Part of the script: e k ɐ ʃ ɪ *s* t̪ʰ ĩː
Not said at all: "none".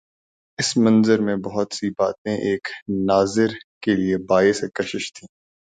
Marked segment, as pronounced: ʃ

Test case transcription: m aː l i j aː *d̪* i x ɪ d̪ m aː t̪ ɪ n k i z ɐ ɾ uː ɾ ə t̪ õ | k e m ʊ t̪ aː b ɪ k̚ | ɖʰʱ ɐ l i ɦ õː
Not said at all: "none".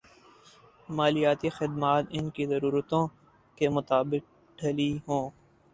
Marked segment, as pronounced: t̪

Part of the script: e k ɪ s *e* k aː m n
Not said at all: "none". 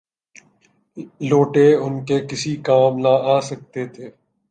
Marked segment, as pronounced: i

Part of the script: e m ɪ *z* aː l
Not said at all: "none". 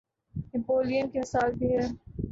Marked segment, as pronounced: s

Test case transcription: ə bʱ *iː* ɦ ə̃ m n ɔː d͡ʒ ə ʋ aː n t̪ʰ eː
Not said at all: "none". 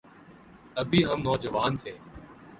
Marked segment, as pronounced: iː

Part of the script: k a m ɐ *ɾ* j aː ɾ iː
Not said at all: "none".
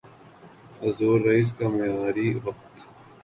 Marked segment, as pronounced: none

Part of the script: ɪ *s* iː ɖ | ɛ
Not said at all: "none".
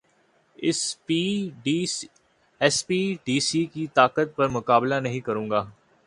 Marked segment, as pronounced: s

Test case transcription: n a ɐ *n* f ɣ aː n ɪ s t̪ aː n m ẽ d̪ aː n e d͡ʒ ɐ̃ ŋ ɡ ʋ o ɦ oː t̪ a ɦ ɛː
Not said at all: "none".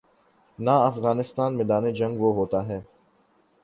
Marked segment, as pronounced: none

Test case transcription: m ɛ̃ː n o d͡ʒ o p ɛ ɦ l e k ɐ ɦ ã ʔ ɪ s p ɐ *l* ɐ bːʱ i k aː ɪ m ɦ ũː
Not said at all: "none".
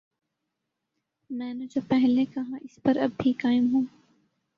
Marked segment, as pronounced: ɾ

